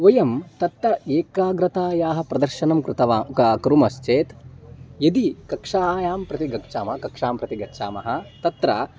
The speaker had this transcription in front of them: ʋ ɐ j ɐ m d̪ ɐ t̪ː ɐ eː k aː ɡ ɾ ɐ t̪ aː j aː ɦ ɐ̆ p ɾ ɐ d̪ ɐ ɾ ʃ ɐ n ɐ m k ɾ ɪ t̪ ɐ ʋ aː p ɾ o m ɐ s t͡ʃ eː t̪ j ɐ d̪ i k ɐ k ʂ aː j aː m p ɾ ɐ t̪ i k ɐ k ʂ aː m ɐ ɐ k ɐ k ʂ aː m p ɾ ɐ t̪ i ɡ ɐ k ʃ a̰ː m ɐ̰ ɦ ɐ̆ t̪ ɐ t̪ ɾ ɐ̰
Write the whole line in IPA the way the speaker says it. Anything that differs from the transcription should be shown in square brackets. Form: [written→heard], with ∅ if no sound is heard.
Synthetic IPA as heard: ʋ ɐ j ɐ m [d̪→t̪] ɐ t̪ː ɐ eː k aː ɡ ɾ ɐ t̪ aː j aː ɦ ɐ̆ p ɾ ɐ d̪ ɐ ɾ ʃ ɐ n ɐ m k ɾ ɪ t̪ ɐ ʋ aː [p→k] ɾ [o→u] m ɐ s t͡ʃ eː t̪ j ɐ d̪ i k ɐ k ʂ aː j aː m p ɾ ɐ t̪ i [k→ɡ] ɐ k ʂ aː m ɐ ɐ k ɐ k ʂ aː m p ɾ ɐ t̪ i ɡ ɐ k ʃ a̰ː m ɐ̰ ɦ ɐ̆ t̪ ɐ t̪ ɾ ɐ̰